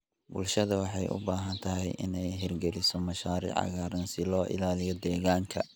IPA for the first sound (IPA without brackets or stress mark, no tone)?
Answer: b